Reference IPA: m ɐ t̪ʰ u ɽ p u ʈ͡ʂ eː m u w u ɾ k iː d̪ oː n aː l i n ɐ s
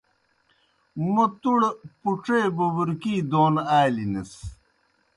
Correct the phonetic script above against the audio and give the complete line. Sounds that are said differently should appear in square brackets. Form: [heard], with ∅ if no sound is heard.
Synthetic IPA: m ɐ [t̪] u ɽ p u ʈ͡ʂ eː [b] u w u ɾ k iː d̪ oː n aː l i n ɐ s